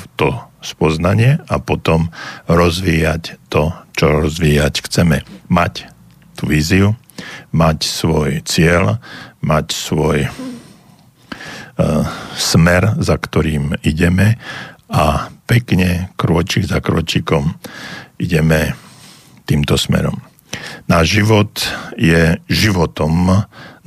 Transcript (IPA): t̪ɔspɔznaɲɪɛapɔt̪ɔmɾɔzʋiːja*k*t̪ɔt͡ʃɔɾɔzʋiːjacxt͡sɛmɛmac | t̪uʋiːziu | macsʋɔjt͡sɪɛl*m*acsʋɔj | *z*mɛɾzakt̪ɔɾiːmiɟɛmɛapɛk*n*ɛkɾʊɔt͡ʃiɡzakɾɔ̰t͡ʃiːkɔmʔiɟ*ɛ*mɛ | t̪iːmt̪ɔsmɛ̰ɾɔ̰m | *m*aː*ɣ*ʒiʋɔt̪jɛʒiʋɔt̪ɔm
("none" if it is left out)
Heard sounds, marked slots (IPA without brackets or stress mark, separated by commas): c, m, s, ɲ, ɛ, n, ʒ